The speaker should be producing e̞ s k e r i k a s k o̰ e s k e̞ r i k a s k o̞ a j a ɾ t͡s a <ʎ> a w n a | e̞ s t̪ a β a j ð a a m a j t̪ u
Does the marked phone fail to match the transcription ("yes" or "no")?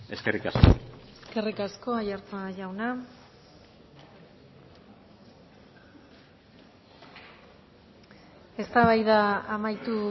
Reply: yes